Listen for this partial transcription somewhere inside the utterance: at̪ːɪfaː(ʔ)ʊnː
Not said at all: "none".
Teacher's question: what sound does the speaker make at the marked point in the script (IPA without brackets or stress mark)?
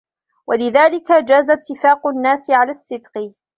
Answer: q